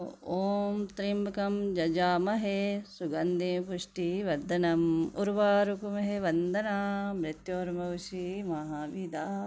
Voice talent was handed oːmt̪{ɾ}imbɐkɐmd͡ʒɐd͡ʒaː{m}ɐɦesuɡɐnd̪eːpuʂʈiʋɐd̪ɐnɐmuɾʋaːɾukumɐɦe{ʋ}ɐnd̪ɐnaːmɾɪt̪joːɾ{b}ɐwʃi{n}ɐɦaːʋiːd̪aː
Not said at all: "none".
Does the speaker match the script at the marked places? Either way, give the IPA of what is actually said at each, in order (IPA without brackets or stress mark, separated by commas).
ɾ, m, ʋ, m, m